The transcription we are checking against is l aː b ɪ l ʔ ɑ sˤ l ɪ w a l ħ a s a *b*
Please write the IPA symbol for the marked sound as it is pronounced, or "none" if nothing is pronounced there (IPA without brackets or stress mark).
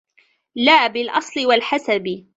b